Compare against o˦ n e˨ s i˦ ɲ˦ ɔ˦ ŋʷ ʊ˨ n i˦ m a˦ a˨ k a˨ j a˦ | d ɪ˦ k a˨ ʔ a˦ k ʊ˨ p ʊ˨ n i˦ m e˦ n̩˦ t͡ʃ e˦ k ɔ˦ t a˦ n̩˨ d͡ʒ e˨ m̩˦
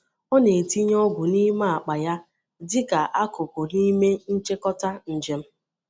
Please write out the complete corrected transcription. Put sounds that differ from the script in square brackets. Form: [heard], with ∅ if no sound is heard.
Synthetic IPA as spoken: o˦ n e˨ [t] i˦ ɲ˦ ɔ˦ [ɡʷ] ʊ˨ n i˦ m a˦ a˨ [k͡p] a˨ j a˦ | d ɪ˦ k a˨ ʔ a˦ k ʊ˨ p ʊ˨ n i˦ m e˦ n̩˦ t͡ʃ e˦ k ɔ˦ t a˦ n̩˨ d͡ʒ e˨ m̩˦